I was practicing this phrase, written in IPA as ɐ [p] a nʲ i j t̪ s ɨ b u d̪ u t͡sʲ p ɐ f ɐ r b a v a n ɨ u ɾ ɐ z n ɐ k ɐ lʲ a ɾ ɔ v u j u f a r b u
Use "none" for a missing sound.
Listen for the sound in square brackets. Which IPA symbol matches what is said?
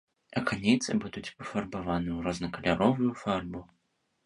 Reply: k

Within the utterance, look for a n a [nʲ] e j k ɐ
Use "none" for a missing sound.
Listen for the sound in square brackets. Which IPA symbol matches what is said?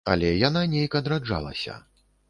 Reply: nʲ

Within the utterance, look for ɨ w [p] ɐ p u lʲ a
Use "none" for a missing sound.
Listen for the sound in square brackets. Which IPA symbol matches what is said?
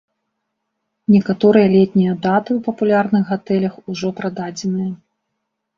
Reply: p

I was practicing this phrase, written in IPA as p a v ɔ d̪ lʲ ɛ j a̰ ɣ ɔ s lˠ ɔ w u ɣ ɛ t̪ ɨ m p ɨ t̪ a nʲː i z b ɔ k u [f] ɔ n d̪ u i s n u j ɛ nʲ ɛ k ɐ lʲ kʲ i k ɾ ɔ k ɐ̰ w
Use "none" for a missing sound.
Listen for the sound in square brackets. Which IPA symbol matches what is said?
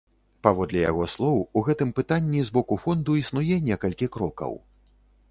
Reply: f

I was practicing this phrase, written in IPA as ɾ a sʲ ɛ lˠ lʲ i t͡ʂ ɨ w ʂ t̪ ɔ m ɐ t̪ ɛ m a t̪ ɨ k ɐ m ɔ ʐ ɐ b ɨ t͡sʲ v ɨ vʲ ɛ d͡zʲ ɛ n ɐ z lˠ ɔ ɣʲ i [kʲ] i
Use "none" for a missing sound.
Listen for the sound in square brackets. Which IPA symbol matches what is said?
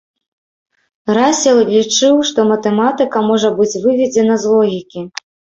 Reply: kʲ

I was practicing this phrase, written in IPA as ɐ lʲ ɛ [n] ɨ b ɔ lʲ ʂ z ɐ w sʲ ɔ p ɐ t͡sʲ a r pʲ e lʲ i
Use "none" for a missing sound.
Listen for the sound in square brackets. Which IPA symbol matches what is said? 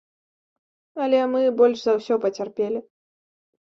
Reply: m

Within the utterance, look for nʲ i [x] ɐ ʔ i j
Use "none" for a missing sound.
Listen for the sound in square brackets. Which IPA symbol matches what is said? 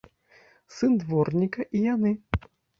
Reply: k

